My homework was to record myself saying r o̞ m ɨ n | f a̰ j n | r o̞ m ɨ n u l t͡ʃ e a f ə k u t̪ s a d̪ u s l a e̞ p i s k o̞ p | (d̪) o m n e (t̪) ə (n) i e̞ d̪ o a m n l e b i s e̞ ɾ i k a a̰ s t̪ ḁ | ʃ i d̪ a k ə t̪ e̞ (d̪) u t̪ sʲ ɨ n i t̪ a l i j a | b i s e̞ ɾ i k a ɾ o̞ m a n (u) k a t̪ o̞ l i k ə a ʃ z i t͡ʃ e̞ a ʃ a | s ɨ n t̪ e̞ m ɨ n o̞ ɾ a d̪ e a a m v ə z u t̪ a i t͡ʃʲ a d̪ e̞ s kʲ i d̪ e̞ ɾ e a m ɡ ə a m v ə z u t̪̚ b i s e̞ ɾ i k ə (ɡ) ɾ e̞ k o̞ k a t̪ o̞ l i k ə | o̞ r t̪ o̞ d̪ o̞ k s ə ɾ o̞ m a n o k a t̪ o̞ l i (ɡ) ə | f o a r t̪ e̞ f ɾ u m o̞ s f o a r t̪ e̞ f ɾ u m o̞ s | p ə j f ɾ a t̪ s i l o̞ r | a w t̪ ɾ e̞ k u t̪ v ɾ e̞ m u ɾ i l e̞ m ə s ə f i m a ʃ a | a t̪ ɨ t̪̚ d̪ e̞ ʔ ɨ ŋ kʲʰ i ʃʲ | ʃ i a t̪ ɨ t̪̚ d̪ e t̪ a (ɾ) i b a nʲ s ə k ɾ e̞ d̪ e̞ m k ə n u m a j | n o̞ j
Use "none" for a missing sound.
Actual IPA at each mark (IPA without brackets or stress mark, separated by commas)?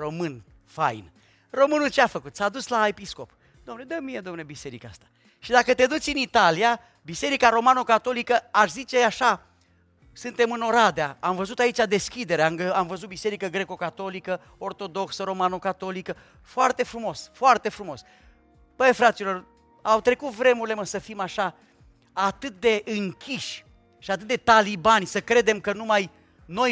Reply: d̪, d̪, m, d̪, o, ɡ, k, l